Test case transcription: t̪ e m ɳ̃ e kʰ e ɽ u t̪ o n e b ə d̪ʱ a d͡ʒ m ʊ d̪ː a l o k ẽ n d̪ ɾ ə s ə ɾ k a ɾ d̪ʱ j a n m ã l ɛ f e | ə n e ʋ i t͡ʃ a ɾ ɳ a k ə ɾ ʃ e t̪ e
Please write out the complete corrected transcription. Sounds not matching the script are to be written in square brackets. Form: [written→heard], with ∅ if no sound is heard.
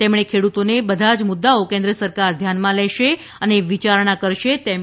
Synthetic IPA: t̪ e m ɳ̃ e kʰ e ɽ u t̪ o n e b ə d̪ʱ a d͡ʒ m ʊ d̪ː a [l→∅] o k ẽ n d̪ ɾ ə s ə ɾ k a ɾ d̪ʱ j a n m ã l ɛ [f→ʃ] e | ə n e ʋ i t͡ʃ a ɾ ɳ a k ə ɾ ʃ e t̪ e

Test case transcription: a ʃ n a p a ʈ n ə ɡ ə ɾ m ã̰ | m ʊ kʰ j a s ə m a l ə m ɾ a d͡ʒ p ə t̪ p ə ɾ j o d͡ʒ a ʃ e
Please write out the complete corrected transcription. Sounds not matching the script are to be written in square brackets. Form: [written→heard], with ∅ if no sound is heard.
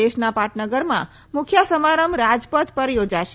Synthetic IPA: [a→e] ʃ n a p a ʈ n ə ɡ ə ɾ m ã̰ | m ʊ kʰ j a s ə m a [l→ɾ] ə m ɾ a d͡ʒ p ə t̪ p ə ɾ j o d͡ʒ a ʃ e

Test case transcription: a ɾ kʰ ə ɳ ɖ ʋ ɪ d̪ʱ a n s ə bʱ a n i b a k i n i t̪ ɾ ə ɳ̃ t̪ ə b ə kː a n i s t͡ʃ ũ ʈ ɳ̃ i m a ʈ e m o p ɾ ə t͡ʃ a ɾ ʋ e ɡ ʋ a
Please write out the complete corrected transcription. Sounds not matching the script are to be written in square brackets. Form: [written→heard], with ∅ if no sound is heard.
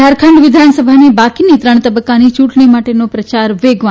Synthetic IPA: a ɾ kʰ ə ɳ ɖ ʋ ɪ d̪ʱ a n s ə bʱ a n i b a k i n i t̪ ɾ ə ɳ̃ t̪ ə b ə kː a n i [s→∅] t͡ʃ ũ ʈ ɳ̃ i m a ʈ e [m→n] o p ɾ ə t͡ʃ a ɾ ʋ e ɡ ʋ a

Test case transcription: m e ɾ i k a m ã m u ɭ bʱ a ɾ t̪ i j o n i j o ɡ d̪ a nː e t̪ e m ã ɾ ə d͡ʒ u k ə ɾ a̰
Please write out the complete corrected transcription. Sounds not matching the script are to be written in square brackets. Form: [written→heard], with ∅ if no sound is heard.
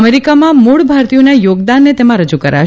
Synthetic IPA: m e ɾ i k a m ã m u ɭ bʱ a ɾ t̪ i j o n [i→a] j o ɡ d̪ a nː e t̪ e m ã ɾ ə d͡ʒ u k ə ɾ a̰

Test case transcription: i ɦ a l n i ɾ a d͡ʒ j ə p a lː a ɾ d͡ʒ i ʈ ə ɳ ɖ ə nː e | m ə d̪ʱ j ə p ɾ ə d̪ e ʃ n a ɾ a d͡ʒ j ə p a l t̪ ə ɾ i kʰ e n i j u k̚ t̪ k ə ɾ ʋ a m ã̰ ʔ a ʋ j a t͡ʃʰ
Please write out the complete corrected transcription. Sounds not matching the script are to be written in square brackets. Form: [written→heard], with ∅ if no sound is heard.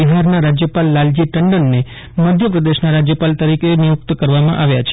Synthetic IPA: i ɦ a [l→ɾ] n [i→a] ɾ a d͡ʒ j ə p a lː a [ɾ→l] d͡ʒ i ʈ ə ɳ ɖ ə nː e | m ə d̪ʱ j ə p ɾ ə d̪ e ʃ n a ɾ a d͡ʒ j ə p a l t̪ ə ɾ i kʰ e n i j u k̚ t̪ k ə ɾ ʋ a m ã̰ ʔ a ʋ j a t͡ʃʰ

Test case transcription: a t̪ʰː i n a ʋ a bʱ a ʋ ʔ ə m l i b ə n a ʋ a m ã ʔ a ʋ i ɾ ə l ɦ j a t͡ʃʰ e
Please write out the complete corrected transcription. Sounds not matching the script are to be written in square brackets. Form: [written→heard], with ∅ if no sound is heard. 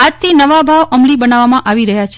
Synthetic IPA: a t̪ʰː i n [a→ə] ʋ a bʱ a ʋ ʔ ə m l i b ə n a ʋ a m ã ʔ a ʋ i ɾ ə [l→∅] ɦ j a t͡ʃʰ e

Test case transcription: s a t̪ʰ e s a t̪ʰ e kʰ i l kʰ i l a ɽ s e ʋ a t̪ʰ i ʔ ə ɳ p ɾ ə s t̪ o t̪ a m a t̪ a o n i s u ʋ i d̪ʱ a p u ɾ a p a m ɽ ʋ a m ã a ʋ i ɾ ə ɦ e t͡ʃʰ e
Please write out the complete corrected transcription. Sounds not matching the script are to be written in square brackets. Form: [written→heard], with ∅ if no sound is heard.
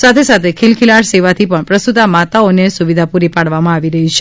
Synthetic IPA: s a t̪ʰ e s a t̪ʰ e kʰ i l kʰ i l a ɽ s e ʋ a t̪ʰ i [ʔ→p] ə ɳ p ɾ ə s t̪ [o→u] t̪ a m a t̪ a o n [i→e] s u ʋ i d̪ʱ a p u ɾ [a→i] p a [m→∅] ɽ ʋ a m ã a ʋ i ɾ ə ɦ [e→i] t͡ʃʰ e

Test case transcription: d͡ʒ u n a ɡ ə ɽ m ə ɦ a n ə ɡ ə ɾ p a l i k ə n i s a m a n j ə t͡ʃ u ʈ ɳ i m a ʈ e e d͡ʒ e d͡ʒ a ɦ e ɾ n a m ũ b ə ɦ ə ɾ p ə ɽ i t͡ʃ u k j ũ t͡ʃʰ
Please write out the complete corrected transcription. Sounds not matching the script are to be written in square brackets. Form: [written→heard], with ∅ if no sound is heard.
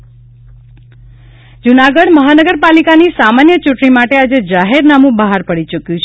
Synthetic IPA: d͡ʒ u n a ɡ ə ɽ m ə ɦ a n ə ɡ ə ɾ p a l i k [ə→a] n i s a m a n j ə t͡ʃ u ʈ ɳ i m a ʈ e [e→a] d͡ʒ e d͡ʒ a ɦ e ɾ n a m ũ b ə ɦ [ə→a] ɾ p ə ɽ i t͡ʃ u k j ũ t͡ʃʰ

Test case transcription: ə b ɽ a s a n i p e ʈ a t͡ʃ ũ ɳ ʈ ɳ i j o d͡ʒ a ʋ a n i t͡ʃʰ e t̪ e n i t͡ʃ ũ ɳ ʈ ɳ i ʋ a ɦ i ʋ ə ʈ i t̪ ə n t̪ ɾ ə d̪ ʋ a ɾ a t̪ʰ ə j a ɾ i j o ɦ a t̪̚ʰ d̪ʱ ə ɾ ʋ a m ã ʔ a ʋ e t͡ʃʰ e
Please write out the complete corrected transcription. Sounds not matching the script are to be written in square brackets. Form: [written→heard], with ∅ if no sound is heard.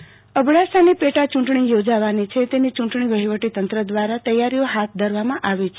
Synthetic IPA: ə b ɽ a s a n i p e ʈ a t͡ʃ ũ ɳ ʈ ɳ i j o d͡ʒ a ʋ a n i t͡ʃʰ e t̪ e n i t͡ʃ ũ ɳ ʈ ɳ i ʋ [a→ə] ɦ i ʋ ə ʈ i t̪ ə n t̪ ɾ ə d̪ ʋ a ɾ a [t̪ʰ→t̪] ə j a ɾ i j o ɦ a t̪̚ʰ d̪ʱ ə ɾ ʋ a m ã ʔ a ʋ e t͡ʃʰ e

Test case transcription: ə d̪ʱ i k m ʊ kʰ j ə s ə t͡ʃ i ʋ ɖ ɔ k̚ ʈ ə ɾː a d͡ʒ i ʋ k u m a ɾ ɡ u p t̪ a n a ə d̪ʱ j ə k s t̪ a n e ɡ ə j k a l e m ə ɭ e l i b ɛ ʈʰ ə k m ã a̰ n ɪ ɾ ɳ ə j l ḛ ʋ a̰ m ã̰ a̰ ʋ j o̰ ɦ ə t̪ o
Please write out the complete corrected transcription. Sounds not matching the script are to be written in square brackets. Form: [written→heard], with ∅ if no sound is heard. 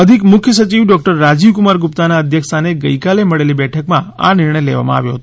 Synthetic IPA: ə d̪ʱ i k m ʊ kʰ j ə s ə t͡ʃ i ʋ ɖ ɔ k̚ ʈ ə ɾː a d͡ʒ i ʋ k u m a ɾ ɡ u p t̪ a n a ə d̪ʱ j ə k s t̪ a n e ɡ ə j k a l e m ə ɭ e l i b ɛ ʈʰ ə k m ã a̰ n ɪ ɾ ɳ ə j l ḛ ʋ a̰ m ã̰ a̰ ʋ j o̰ ɦ ə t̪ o

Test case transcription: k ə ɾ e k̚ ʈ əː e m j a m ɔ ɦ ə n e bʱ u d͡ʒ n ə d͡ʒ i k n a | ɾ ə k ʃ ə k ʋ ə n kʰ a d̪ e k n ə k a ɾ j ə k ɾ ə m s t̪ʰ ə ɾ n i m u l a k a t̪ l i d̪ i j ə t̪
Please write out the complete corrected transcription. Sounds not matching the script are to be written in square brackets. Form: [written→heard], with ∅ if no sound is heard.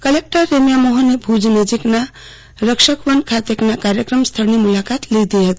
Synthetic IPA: k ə [ɾ→l] e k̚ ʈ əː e m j a m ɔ ɦ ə n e bʱ u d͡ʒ n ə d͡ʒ i k n a | ɾ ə k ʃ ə k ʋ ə n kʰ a [d̪→t̪] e k n [ə→a] k a ɾ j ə k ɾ ə m s t̪ʰ ə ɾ n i m u l a k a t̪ l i d̪ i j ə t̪

